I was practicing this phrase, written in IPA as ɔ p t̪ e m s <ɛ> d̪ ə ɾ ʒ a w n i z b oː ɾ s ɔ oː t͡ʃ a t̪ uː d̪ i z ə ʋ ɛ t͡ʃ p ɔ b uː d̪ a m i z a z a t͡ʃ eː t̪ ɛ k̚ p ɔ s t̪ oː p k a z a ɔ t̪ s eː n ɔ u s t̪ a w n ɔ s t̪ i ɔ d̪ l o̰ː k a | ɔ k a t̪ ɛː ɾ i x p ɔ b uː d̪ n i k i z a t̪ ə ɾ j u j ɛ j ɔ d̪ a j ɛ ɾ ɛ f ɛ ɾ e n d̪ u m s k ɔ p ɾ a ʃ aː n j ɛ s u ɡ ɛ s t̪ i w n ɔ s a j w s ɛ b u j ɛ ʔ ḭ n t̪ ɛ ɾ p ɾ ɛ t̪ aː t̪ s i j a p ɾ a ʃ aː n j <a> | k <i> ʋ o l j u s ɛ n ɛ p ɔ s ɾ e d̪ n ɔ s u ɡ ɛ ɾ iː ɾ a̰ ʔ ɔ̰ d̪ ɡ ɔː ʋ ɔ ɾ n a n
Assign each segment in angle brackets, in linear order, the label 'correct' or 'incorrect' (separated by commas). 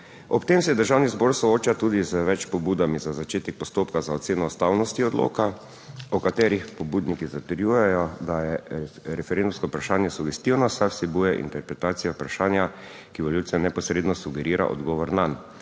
correct, correct, correct